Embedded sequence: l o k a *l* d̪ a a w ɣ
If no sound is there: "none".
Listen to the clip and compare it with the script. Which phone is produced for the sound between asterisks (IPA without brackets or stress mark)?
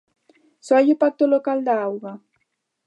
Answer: l